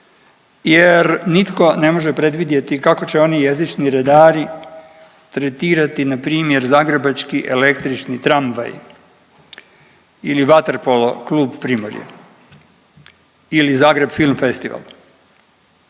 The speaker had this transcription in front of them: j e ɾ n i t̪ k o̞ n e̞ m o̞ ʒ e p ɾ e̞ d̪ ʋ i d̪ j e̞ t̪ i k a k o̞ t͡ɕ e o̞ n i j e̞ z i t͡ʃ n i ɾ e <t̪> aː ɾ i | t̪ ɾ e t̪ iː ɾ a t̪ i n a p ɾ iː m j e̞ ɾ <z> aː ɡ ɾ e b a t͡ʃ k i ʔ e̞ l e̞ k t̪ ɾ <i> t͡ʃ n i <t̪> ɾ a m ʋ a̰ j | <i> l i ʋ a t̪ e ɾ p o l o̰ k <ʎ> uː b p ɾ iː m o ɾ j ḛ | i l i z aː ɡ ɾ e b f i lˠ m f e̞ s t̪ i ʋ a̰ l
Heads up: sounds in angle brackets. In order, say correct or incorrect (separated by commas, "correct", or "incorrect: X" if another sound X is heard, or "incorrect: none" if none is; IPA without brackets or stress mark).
incorrect: d̪, correct, correct, correct, correct, incorrect: l